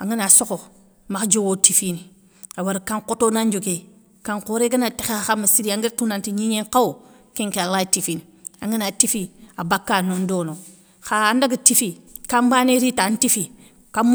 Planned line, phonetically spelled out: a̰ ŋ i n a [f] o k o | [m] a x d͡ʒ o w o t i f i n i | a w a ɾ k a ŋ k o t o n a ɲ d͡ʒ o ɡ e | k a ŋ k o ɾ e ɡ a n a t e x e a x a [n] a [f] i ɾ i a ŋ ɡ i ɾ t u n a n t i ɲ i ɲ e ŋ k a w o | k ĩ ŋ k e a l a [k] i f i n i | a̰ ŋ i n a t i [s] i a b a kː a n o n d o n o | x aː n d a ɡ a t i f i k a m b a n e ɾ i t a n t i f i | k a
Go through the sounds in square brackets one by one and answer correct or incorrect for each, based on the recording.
incorrect: s, correct, incorrect: m, incorrect: s, incorrect: t, incorrect: f

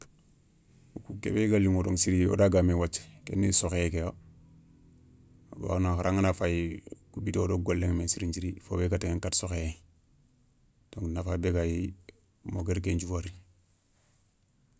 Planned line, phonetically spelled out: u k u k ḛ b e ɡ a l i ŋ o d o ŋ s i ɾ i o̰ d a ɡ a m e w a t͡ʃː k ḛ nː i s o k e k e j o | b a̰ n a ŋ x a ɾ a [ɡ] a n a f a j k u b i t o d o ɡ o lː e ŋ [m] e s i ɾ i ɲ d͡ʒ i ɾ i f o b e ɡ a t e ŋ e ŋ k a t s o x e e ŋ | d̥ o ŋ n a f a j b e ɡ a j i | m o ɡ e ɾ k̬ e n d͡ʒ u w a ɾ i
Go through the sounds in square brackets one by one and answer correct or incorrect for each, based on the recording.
incorrect: ŋ, correct

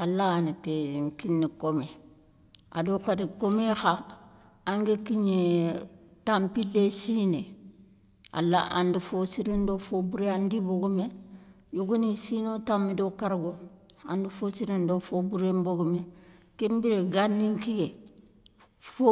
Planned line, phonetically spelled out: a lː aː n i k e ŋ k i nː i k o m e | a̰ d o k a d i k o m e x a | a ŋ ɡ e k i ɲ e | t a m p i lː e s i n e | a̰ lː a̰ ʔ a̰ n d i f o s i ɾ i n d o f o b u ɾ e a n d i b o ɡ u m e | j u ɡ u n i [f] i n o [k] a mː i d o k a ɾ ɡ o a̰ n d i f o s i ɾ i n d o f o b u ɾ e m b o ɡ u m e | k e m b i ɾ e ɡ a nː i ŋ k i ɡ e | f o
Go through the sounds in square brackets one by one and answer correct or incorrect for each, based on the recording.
incorrect: s, incorrect: t

